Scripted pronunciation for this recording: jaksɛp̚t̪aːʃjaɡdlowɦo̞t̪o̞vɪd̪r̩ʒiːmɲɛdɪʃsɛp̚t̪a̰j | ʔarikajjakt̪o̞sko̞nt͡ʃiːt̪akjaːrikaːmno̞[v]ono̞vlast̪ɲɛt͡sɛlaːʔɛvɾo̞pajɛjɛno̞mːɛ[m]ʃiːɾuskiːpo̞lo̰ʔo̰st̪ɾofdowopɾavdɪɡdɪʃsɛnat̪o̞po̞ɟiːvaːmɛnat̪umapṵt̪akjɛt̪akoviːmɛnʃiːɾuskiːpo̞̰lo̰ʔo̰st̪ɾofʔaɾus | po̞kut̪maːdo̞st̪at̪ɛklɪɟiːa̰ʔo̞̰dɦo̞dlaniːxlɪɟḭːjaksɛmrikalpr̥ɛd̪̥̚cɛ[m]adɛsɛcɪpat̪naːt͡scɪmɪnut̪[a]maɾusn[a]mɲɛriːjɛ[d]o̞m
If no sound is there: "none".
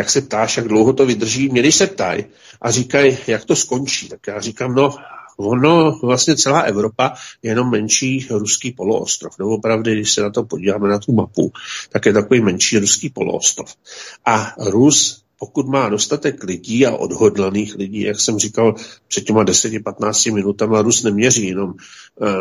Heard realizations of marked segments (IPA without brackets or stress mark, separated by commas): v, n, m, a, ɛ, n